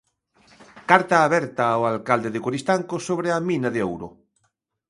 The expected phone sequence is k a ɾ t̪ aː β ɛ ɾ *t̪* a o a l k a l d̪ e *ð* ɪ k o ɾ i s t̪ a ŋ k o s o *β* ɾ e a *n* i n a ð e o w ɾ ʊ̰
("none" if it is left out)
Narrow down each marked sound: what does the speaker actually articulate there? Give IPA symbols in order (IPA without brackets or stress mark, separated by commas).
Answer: t̪, ð, β, m